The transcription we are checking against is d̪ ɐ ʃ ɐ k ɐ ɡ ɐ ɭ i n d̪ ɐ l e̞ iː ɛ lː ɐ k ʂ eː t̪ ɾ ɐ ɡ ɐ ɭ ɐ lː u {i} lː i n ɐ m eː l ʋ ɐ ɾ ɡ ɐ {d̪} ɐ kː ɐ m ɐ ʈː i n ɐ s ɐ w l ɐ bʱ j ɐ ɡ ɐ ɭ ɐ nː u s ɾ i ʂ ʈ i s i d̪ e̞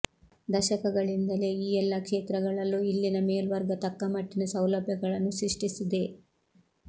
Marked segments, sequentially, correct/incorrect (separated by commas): correct, incorrect